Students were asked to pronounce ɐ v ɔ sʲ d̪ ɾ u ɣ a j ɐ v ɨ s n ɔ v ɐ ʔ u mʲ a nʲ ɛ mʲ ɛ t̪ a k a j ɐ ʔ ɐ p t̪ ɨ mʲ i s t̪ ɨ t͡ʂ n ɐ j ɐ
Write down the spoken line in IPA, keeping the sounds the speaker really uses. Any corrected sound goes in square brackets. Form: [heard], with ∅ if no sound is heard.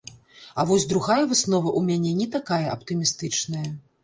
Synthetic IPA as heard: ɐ v ɔ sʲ d̪ ɾ u ɣ a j ɐ v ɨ s n ɔ v ɐ ʔ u mʲ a nʲ ɛ [nʲ] ɛ t̪ a k a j ɐ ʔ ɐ p t̪ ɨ mʲ i s t̪ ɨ t͡ʂ n ɐ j ɐ

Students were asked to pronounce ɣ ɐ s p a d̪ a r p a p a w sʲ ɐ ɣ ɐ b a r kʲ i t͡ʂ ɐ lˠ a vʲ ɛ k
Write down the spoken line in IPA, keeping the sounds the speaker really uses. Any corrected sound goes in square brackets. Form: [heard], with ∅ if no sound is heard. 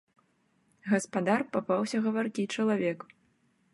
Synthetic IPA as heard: ɣ ɐ s p a d̪ a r p a p a w sʲ ɐ ɣ ɐ [v] a r kʲ i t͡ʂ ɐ lˠ a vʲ ɛ k

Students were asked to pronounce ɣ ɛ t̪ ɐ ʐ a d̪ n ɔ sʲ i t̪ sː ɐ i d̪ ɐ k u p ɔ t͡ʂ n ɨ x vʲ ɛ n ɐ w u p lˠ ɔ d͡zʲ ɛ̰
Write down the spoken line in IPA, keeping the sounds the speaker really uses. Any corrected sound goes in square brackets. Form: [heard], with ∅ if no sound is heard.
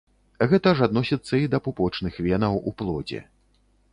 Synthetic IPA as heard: ɣ ɛ t̪ ɐ ʐ a d̪ n ɔ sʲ i t̪ sː ɐ i d̪ ɐ [p] u p ɔ t͡ʂ n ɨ x vʲ ɛ n ɐ w u p lˠ ɔ d͡zʲ ɛ̰

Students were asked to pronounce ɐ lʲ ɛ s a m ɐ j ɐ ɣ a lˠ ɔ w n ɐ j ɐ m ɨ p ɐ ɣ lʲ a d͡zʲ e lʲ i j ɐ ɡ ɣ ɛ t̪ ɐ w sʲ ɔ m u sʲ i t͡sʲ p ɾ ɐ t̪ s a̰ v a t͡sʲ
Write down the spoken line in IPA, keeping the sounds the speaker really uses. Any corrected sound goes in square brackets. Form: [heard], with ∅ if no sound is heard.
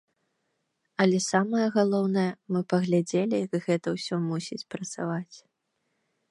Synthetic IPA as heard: ɐ lʲ ɛ s a m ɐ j ɐ ɣ a lˠ ɔ w n ɐ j ɐ m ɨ p ɐ ɣ lʲ a d͡zʲ e lʲ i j ɐ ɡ ɣ ɛ t̪ ɐ w sʲ ɔ m u sʲ i t͡sʲ p ɾ ɐ t̪ s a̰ v a t͡sʲ

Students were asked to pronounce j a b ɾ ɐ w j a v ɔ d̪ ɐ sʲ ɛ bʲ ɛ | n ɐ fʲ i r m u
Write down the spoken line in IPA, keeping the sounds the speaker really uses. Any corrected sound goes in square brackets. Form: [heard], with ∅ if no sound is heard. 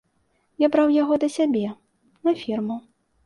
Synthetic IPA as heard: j a b ɾ [a] w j a [ɣ] ɔ d̪ ɐ sʲ [a] bʲ ɛ | n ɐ fʲ i r m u

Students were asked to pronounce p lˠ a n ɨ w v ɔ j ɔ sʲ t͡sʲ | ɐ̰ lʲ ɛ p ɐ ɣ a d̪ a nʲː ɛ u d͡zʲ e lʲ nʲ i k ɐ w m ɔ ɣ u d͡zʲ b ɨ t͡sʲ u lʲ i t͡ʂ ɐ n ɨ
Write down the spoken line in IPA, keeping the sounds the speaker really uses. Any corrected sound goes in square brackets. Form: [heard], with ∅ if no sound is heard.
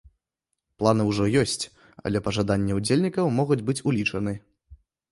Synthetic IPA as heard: p lˠ a n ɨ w [ʐ] ɔ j ɔ sʲ t͡sʲ | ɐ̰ lʲ ɛ p ɐ [ʐ] a d̪ a nʲː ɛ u d͡zʲ e lʲ nʲ i k ɐ w m ɔ ɣ u d͡zʲ b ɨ t͡sʲ u lʲ i t͡ʂ ɐ n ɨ

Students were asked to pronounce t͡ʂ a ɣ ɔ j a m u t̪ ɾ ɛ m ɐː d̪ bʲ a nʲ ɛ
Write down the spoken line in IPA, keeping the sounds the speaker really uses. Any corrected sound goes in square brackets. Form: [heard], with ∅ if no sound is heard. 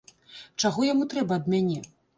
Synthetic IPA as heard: t͡ʂ a ɣ ɔ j a m u t̪ ɾ ɛ [b] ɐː d̪ [mʲ] a nʲ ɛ

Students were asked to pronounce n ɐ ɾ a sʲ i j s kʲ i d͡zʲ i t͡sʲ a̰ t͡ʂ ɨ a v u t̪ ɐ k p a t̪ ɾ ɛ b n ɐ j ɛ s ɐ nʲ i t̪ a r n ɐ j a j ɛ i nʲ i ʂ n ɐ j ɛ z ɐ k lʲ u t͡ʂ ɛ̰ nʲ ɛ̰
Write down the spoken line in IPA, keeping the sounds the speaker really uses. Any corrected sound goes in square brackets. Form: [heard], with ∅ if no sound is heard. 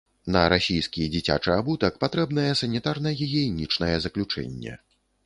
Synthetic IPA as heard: n ɐ ɾ a sʲ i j s kʲ i d͡zʲ i t͡sʲ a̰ t͡ʂ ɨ a [b] u t̪ ɐ k p a t̪ ɾ ɛ b n ɐ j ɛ s ɐ nʲ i t̪ a r n ɐ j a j ɛ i nʲ i [t͡ʂ] n ɐ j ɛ z ɐ k lʲ u t͡ʂ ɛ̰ [nʲː] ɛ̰

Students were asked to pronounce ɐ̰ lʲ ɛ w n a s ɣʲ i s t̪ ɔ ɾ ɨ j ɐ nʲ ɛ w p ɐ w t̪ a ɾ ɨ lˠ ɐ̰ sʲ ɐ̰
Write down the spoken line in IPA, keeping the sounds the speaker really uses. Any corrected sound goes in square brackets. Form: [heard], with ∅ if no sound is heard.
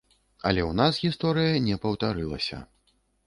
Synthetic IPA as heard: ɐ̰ lʲ ɛ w n a s ɣʲ i s t̪ ɔ ɾ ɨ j ɐ nʲ ɛ [∅] p ɐ w t̪ a ɾ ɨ lˠ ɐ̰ sʲ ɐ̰

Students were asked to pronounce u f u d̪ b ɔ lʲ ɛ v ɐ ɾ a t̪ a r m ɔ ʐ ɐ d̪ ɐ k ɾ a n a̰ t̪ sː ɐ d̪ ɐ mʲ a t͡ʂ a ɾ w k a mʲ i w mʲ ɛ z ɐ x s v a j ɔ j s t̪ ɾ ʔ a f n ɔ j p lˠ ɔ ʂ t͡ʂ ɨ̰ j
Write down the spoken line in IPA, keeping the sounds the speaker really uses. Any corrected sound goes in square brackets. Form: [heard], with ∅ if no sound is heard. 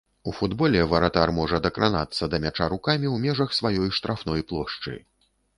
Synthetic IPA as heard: u f u d̪ b ɔ lʲ ɛ v ɐ ɾ a t̪ a r m ɔ ʐ ɐ d̪ ɐ k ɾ a n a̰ t̪ sː ɐ d̪ ɐ mʲ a t͡ʂ a ɾ [u] k a mʲ i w mʲ ɛ [ʐ] ɐ x s v a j ɔ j [ʂ] t̪ ɾ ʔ a f n ɔ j p lˠ ɔ ʂ t͡ʂ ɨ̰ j

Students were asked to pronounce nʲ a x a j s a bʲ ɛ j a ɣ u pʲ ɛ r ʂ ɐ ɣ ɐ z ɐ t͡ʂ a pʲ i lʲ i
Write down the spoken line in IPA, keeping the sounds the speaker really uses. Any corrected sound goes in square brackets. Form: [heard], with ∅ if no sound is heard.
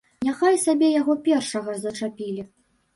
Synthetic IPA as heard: nʲ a x a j s a bʲ ɛ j a ɣ [ɔ] pʲ ɛ r ʂ ɐ ɣ ɐ z ɐ t͡ʂ a pʲ i lʲ i

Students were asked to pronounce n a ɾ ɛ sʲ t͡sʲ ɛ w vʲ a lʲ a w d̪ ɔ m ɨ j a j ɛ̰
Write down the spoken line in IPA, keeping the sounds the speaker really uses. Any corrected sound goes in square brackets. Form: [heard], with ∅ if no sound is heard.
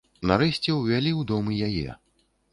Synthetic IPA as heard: n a ɾ ɛ sʲ t͡sʲ ɛ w vʲ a lʲ [i] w d̪ ɔ m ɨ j a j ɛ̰

